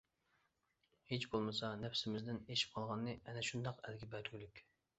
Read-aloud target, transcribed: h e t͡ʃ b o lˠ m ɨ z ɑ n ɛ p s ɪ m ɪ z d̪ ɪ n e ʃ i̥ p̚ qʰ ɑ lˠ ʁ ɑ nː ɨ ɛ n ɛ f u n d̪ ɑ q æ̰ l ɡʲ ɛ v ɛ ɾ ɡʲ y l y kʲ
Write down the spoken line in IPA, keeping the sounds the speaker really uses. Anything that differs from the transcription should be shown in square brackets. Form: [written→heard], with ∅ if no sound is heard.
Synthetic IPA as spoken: h e t͡ʃ b o lˠ m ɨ [z→s] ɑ n ɛ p s ɪ m ɪ z d̪ ɪ n e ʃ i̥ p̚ qʰ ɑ lˠ ʁ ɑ nː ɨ ɛ n ɛ [f→ʃ] u n d̪ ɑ q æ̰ l ɡʲ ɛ [v→b] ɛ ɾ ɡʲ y l y kʲ